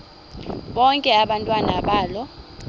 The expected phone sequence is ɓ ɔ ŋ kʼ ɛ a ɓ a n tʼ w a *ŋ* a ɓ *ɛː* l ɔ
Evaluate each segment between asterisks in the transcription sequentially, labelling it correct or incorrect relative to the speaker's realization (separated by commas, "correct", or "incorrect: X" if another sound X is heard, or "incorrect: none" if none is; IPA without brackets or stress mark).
incorrect: n, incorrect: aː